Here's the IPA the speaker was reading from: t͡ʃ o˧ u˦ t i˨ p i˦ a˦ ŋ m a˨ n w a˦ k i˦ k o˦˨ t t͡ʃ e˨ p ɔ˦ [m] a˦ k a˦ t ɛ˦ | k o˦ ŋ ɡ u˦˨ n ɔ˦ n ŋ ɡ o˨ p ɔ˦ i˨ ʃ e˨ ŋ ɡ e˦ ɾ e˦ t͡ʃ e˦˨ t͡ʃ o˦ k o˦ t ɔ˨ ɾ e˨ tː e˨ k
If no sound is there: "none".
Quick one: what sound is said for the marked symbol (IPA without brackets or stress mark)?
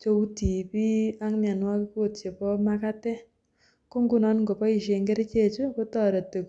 m